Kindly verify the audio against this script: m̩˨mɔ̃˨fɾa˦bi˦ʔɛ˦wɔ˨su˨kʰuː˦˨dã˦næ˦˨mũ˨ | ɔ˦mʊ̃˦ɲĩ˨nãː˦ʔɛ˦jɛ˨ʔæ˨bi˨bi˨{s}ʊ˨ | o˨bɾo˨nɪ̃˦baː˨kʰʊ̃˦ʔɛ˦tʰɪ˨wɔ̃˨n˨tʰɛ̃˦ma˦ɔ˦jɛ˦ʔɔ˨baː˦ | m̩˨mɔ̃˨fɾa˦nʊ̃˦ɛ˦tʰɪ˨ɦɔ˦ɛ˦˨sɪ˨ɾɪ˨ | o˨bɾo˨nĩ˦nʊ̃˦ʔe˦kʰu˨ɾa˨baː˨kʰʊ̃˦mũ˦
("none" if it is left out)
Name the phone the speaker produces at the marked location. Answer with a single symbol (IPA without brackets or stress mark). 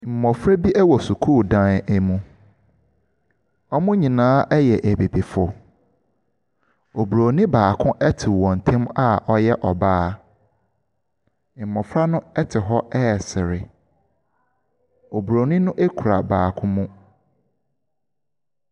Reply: f